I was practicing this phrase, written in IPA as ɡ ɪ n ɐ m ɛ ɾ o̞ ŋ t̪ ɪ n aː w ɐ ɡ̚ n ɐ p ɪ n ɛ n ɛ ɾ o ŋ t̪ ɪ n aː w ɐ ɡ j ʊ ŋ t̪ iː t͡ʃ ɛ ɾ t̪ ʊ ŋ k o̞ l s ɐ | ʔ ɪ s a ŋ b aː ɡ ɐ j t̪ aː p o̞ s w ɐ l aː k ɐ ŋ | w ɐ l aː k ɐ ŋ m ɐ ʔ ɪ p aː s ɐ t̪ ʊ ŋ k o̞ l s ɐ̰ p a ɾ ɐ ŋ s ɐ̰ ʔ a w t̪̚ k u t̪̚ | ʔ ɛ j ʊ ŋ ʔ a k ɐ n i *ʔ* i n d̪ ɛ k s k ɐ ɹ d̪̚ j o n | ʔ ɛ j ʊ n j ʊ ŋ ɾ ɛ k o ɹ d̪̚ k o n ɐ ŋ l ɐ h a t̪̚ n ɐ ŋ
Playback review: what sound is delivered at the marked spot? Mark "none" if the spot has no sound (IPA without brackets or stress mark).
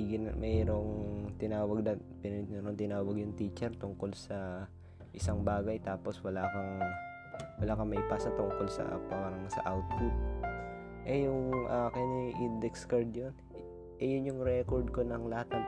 ʔ